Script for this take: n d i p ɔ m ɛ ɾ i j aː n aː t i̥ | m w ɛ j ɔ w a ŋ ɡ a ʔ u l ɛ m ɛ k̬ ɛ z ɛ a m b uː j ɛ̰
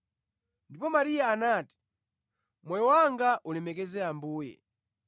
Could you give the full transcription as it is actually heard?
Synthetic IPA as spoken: n d i p ɔ m a ɾ i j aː n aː t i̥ | m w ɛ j ɔ w a ŋ ɡ a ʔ u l ɛ m ɛ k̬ ɛ z ɛ a m b uː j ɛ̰